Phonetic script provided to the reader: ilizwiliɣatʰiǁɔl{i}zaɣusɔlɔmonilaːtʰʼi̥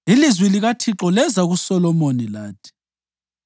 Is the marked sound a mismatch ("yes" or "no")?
yes